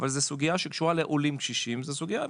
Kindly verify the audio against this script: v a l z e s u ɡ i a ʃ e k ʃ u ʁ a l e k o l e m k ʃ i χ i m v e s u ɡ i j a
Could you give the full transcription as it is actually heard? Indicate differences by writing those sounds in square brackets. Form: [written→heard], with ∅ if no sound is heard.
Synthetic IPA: v a l z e s u ɡ i a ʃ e k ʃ u ʁ a l e [k→ʔ] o l [e→i] m k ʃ i [χ→ʃ] i m [v→z] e s u ɡ i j a